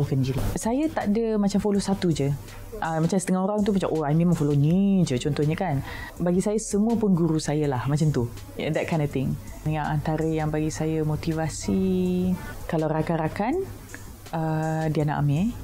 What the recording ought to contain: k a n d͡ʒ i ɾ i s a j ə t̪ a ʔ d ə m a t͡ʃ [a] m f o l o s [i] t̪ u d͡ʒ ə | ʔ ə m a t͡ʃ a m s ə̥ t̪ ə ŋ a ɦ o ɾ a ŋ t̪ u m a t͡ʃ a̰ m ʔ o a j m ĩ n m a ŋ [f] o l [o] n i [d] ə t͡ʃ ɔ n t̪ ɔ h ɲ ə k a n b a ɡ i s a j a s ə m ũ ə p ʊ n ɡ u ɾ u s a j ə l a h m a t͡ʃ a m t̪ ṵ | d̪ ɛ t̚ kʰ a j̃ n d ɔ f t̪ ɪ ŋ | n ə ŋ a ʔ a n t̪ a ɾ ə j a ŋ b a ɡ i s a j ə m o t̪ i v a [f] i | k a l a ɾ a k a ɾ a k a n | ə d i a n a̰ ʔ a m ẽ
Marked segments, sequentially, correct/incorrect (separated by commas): correct, incorrect, correct, correct, incorrect, incorrect